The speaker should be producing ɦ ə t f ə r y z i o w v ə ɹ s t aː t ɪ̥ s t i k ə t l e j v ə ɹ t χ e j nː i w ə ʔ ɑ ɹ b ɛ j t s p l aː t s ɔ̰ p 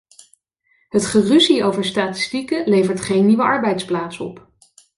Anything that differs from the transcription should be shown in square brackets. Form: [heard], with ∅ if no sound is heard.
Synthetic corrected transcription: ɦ ə t [χ] ə r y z i o w v ə ɹ s t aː t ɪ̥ s t i k ə [∅] l e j v ə ɹ t χ e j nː i [ʋ] ə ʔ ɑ ɹ b ɛ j t s p l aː t s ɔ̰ p

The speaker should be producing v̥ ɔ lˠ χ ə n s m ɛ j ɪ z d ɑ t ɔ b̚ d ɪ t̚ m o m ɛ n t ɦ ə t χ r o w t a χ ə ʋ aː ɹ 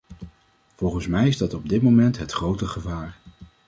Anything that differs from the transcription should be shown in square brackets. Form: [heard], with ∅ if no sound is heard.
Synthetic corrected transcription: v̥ ɔ lˠ χ ə n s m ɛ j ɪ z d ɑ t ɔ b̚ d ɪ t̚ m o m ɛ n t ɦ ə t χ r o w t [ə] χ ə [v] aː ɹ

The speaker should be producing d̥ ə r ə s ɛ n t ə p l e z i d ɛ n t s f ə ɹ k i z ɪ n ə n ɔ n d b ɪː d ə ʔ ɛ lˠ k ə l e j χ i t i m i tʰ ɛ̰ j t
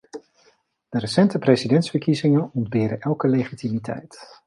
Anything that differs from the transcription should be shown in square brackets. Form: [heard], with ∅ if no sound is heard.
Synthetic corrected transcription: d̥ ə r ə s ɛ n t ə p [r] e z i d ɛ n t s f ə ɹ k i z ɪ [ŋ] ə n ɔ n d b ɪː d ə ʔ ɛ lˠ k ə l e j χ i t i m i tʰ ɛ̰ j t

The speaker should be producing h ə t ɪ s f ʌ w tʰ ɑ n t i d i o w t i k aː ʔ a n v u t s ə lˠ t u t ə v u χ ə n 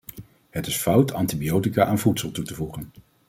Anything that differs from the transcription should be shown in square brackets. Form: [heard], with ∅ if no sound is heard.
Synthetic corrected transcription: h ə t ɪ s f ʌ w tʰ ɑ n t i [b] i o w t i k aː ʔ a n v u t s ə lˠ t u t ə v u χ ə n

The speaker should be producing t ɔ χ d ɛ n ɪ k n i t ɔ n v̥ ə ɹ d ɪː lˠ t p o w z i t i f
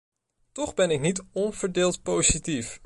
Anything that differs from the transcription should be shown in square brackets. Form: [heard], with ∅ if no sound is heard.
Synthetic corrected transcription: t ɔ χ [b] ɛ n ɪ k n i t ɔ n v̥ ə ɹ d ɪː lˠ t p o w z i t i f

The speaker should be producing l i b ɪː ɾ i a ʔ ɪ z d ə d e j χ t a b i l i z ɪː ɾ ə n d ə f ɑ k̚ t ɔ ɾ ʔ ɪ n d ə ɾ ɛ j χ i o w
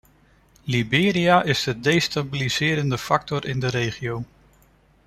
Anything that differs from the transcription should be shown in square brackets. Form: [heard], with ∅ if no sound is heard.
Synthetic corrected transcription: l i b ɪː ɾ i a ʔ ɪ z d ə d e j [s] t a b i l i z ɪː ɾ ə n d ə f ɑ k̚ t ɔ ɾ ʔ ɪ n d ə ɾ [e] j χ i o w

